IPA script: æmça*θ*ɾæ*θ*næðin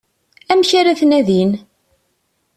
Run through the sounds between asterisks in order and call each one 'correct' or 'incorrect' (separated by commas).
incorrect, correct